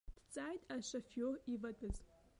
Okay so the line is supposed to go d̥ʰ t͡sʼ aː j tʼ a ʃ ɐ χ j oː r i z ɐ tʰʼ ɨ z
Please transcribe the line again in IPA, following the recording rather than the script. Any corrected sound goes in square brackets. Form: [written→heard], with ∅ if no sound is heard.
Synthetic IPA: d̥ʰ t͡sʼ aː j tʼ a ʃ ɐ [χ→f] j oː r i [z→v] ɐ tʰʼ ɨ z